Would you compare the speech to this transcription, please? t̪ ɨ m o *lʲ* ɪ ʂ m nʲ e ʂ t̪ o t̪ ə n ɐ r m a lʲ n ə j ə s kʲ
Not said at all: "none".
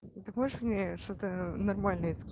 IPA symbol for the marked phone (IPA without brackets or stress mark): none